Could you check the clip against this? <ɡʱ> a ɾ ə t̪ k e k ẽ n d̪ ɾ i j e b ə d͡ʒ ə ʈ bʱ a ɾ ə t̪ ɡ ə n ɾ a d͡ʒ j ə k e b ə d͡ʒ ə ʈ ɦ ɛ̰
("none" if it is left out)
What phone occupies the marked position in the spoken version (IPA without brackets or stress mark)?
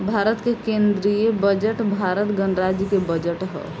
bʱ